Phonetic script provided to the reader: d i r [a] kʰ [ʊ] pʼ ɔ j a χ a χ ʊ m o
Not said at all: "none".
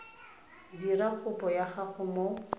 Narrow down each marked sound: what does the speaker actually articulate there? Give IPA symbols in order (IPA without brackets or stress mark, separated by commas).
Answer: a, ʊ